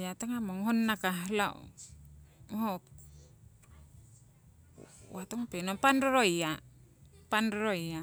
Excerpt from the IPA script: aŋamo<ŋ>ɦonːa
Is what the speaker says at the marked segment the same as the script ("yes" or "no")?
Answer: yes